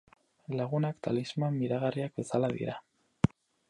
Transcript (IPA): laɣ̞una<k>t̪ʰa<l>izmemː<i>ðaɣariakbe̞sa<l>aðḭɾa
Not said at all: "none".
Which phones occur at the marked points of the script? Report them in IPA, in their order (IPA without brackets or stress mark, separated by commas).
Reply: k, l, i, l